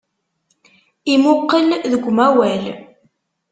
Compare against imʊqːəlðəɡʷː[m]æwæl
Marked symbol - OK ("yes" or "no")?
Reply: yes